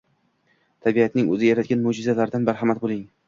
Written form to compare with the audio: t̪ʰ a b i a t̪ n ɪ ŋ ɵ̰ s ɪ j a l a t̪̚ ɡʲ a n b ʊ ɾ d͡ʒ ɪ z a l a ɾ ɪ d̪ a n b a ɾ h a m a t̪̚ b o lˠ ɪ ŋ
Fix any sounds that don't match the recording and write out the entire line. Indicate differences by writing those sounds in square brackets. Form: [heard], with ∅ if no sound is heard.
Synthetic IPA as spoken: t̪ʰ a b i a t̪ n ɪ ŋ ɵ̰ [z] ɪ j a [ɾ] a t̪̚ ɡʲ a n [m] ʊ [∅] d͡ʒ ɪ z a l a ɾ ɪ d̪ a n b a ɾ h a m a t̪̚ b o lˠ ɪ ŋ